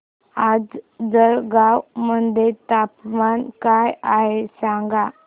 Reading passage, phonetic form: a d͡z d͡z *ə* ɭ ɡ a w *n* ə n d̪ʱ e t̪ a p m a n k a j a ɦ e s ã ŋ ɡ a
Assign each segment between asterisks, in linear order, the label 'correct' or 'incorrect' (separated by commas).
correct, incorrect